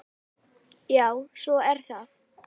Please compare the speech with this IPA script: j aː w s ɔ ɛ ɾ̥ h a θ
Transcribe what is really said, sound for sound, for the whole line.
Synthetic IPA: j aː w s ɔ ɛ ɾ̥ θ a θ